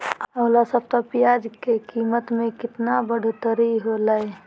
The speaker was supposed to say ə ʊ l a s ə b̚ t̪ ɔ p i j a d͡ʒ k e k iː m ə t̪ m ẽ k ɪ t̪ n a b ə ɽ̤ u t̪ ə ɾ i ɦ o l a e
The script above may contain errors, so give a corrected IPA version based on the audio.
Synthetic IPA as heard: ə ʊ l a s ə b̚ t̪ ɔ p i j a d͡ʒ k e k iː m ə t̪ m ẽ k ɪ t̪ n a b ə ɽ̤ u t̪ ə ɾ i ɦ o l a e